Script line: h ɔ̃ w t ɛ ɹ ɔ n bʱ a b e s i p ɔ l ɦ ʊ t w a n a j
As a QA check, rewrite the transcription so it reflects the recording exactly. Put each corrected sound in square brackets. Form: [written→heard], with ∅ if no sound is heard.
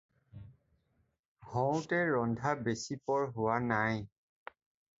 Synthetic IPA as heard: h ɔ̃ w t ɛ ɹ ɔ n [bʱ→dʱ] a b e s i p ɔ [l→ɹ] ɦ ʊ [t→∅] w a n a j